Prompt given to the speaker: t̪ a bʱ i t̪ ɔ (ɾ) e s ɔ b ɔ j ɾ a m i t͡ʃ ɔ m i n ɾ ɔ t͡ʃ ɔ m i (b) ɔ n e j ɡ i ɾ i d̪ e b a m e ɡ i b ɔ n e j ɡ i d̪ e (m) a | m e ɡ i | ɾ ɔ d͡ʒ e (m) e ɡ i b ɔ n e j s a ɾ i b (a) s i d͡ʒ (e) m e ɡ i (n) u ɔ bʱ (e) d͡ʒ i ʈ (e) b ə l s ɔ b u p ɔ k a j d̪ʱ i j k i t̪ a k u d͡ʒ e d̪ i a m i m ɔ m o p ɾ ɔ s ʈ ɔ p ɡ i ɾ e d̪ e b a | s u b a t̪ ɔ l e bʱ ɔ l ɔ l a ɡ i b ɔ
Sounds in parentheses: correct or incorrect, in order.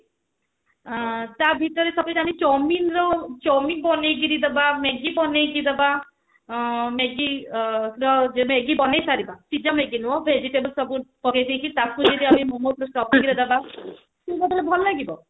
correct, correct, incorrect, correct, correct, incorrect, correct, correct, correct

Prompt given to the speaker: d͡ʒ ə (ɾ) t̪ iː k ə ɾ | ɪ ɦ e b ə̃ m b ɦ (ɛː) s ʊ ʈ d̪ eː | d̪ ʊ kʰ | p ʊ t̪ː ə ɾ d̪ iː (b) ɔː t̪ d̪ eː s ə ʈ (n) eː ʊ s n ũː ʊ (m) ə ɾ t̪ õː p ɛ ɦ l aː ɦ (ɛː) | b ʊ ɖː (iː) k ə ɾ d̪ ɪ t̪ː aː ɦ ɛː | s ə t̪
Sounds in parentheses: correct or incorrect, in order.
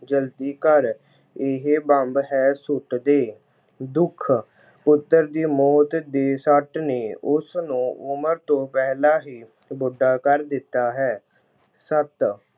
incorrect, correct, incorrect, correct, correct, incorrect, incorrect

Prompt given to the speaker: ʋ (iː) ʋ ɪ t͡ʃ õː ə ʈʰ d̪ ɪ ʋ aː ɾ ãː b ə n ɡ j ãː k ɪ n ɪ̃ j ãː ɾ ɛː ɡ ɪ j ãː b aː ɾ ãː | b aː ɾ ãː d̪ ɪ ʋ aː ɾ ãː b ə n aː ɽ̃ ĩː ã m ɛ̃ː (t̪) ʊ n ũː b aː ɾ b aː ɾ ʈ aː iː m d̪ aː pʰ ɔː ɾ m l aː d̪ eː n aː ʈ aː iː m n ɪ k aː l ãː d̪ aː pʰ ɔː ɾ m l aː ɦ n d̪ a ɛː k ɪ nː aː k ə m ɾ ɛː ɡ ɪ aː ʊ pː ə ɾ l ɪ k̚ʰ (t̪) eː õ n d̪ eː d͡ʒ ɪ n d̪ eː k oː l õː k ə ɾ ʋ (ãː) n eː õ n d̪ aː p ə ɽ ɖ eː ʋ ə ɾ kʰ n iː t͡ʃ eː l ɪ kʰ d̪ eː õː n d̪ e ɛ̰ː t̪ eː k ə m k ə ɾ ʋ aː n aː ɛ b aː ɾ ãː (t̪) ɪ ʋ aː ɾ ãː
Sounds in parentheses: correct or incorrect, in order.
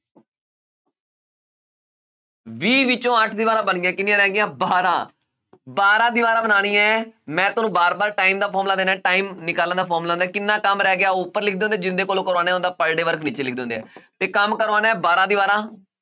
correct, correct, incorrect, incorrect, incorrect

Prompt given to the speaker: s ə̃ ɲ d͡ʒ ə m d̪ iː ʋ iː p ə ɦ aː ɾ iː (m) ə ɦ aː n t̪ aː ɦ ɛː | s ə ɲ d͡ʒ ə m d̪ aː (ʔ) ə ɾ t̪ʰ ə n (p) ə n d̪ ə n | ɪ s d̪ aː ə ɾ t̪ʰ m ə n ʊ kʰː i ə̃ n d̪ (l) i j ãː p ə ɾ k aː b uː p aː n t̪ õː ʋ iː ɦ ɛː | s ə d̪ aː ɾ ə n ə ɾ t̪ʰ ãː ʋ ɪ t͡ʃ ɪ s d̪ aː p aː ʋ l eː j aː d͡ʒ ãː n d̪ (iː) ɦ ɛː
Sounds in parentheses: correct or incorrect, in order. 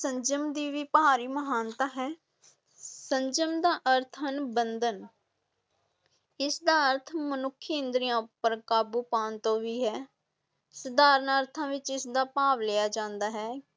correct, correct, incorrect, incorrect, incorrect

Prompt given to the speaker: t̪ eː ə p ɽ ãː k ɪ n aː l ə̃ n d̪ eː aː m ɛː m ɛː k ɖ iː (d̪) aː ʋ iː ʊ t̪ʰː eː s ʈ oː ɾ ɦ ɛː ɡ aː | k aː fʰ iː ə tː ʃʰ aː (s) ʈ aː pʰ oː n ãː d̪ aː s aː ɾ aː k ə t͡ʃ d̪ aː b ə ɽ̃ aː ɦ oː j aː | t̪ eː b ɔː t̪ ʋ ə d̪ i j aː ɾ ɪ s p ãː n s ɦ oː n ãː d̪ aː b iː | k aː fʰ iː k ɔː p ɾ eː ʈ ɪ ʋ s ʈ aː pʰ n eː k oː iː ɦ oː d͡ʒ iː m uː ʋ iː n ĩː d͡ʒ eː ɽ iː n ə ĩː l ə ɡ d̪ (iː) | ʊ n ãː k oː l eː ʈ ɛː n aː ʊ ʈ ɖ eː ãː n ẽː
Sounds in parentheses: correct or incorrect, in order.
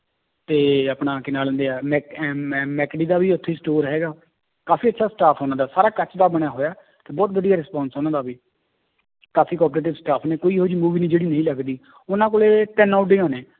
correct, correct, correct

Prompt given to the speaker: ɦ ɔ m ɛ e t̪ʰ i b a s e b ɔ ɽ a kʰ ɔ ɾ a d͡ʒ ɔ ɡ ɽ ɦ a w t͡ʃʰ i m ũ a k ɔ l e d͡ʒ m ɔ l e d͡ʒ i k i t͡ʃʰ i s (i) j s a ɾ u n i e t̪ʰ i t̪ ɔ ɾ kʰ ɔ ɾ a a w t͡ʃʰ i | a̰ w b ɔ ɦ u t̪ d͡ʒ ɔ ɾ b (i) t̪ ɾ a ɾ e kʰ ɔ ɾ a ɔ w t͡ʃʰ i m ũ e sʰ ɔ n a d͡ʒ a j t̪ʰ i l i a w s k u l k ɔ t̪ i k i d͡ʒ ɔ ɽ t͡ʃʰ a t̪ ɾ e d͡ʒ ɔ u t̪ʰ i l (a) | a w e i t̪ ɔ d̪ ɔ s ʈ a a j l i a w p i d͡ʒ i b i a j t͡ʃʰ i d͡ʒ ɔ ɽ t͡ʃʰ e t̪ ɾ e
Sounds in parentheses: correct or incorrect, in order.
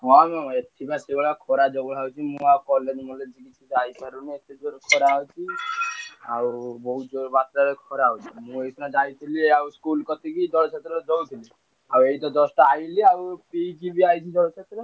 incorrect, incorrect, incorrect

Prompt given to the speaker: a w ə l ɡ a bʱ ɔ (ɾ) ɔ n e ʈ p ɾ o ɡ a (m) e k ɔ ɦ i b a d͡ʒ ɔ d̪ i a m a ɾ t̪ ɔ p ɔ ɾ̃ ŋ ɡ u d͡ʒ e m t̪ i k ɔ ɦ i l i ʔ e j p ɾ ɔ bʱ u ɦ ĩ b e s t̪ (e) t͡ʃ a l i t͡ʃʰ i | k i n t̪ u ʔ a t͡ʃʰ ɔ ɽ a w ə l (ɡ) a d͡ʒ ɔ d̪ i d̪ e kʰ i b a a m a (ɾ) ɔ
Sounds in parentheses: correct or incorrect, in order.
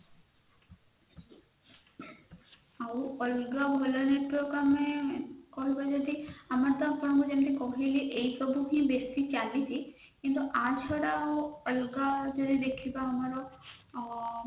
incorrect, correct, incorrect, correct, correct

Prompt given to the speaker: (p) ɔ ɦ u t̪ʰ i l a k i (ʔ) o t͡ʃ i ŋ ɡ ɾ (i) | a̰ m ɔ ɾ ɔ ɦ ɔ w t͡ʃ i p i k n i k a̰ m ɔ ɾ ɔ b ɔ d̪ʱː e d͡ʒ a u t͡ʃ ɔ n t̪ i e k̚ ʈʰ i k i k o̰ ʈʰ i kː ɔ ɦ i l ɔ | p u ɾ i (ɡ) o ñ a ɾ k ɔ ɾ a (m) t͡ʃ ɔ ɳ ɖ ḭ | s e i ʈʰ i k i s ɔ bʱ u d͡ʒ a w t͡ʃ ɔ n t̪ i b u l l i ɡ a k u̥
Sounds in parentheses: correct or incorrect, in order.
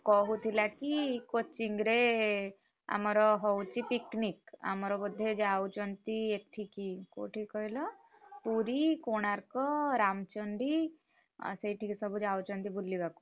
incorrect, incorrect, incorrect, incorrect, correct

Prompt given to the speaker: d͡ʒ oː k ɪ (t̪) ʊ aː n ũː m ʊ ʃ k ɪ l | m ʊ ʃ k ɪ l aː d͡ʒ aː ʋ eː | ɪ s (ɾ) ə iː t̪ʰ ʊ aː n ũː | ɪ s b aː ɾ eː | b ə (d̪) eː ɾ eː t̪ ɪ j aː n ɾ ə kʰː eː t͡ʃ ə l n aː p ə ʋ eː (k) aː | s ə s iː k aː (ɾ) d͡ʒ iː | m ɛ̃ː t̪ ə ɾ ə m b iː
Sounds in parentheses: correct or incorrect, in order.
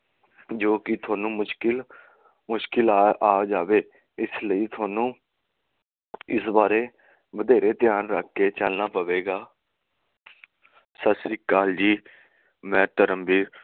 incorrect, incorrect, correct, incorrect, incorrect

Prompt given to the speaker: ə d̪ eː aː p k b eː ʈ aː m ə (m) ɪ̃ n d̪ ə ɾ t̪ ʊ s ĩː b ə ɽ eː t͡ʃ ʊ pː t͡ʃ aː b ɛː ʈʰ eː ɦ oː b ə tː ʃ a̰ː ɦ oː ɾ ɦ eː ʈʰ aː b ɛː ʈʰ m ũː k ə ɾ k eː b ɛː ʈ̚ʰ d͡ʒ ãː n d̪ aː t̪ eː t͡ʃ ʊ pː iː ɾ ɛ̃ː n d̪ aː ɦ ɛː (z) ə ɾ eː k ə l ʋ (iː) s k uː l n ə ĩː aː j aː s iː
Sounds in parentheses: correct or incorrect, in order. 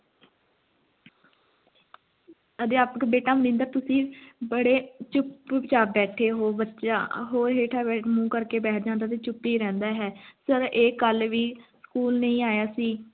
incorrect, incorrect, correct

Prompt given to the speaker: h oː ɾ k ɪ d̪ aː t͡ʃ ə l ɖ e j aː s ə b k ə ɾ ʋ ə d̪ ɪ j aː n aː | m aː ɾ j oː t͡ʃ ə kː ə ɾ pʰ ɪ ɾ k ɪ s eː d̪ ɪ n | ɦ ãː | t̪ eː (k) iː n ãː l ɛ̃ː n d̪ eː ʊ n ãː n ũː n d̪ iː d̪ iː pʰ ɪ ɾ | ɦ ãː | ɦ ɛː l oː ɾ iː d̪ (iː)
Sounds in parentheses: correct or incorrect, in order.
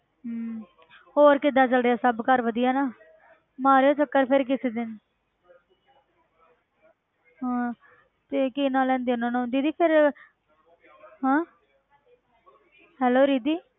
correct, correct

